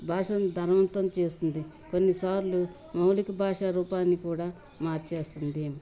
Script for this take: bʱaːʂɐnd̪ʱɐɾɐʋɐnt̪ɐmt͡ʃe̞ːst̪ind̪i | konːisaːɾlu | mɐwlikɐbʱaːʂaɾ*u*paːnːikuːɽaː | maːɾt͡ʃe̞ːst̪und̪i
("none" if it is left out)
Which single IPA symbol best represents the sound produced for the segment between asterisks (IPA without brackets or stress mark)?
uː